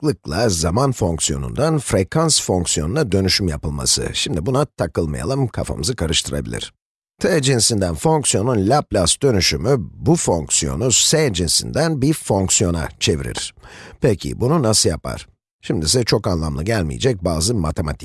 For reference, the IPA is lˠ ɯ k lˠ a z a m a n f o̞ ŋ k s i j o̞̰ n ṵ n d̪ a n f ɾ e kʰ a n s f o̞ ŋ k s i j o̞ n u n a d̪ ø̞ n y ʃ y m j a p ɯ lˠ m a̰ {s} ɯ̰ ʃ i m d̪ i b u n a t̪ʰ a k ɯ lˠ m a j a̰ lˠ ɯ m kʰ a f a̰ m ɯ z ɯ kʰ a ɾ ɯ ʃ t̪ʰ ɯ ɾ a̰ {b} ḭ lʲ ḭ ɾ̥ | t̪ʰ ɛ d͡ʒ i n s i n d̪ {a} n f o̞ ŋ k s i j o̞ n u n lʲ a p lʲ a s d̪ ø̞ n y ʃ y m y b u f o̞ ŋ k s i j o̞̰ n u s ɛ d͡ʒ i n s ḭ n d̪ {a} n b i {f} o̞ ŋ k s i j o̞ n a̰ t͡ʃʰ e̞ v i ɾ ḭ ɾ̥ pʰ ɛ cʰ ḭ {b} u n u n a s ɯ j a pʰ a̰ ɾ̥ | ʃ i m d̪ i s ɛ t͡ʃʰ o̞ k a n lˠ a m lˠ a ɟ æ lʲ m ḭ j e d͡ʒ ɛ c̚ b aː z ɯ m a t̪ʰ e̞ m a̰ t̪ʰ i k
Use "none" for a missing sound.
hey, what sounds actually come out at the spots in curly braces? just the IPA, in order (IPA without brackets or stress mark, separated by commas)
s, b, æ, æ, f, b